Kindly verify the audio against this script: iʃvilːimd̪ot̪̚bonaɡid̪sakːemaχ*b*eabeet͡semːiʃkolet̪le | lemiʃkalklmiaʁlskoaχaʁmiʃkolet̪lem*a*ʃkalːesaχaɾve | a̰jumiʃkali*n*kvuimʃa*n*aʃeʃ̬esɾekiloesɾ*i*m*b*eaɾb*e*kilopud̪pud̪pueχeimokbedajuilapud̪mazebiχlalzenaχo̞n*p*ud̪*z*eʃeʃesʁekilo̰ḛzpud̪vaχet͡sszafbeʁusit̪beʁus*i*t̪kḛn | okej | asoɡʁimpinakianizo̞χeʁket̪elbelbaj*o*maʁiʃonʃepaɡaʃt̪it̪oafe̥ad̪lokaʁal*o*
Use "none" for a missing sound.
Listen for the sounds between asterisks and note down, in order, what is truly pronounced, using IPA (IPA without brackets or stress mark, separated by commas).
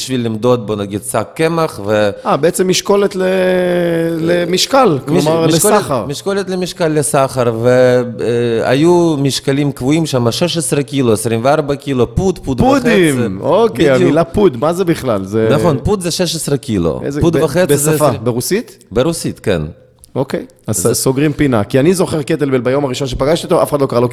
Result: v, i, m, m, i, v, a, p, z, i, o, o